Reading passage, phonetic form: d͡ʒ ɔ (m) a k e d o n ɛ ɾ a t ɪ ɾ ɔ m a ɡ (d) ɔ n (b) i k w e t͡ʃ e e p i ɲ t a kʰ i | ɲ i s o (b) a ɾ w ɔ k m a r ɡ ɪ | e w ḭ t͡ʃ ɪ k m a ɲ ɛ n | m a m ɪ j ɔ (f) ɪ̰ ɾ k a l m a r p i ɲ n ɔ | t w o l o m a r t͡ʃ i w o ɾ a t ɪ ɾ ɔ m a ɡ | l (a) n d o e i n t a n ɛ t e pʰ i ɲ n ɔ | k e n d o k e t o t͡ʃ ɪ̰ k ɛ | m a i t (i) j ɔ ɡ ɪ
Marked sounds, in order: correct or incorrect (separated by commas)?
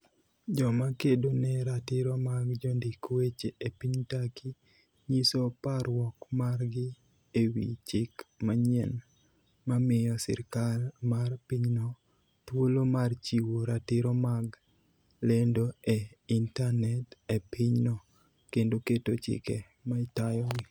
correct, incorrect, incorrect, incorrect, incorrect, incorrect, incorrect